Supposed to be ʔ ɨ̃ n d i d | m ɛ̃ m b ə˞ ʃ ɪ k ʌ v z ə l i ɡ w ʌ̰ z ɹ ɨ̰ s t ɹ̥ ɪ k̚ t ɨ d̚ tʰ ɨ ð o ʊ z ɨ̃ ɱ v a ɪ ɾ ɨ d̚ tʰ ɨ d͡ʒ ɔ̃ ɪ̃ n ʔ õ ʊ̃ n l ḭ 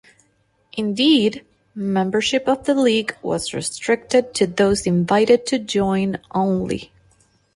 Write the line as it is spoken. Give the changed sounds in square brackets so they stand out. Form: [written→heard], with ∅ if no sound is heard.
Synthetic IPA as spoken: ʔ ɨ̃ n d i d | m ɛ̃ m b ə˞ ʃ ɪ [k→p] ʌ v [z→ð] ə l i ɡ w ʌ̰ z ɹ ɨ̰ s t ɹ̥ ɪ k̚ t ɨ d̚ tʰ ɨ ð o ʊ z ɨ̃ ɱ v a ɪ ɾ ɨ d̚ tʰ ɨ d͡ʒ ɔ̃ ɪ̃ n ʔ õ ʊ̃ n l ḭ